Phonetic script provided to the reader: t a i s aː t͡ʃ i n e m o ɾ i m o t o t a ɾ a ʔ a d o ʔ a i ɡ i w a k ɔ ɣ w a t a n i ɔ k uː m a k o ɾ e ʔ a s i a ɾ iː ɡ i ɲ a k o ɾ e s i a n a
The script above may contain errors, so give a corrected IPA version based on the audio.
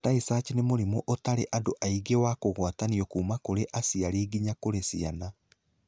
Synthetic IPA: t a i s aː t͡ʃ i n e m o ɾ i m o ʔ o t a ɾ e ʔ a d o ʔ a i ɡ e w a k o ɣ w a t a n i ɔ k uː m a k o ɾ e ʔ a s i a ɾ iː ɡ i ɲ a k o ɾ e s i a n a